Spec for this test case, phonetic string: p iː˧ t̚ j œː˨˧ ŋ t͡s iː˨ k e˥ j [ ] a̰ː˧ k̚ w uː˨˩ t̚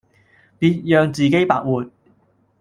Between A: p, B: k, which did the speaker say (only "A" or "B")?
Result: A